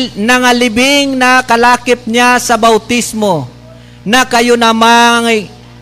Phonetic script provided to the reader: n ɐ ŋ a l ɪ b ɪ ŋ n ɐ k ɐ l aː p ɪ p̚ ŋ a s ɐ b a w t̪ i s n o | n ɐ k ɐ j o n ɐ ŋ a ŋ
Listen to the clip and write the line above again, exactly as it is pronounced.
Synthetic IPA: n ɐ ŋ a l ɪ b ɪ ŋ n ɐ k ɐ l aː k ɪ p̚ ɲ a s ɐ b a w t̪ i s m o | n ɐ k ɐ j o n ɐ m a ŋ